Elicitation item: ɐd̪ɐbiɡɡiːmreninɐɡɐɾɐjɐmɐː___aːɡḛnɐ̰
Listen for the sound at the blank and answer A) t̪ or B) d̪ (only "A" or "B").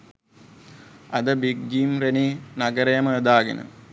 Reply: B